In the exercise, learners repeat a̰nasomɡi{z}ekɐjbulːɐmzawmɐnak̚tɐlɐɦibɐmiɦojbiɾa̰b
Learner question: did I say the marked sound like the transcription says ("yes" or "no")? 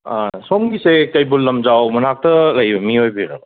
no